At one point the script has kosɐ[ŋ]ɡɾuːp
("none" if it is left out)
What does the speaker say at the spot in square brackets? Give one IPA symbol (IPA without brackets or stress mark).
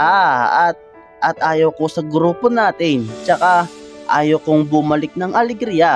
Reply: none